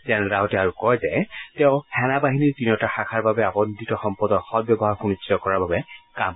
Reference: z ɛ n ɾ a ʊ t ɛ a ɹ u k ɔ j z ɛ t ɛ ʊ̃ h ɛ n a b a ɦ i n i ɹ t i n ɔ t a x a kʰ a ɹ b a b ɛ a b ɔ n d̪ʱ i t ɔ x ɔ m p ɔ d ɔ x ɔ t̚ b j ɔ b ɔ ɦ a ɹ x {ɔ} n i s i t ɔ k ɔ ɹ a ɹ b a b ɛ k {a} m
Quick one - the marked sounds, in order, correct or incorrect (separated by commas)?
incorrect, correct